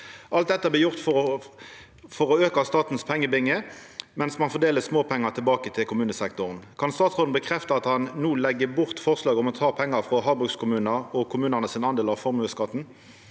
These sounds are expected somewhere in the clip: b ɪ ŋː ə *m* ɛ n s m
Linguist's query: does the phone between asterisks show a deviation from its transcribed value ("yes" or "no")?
no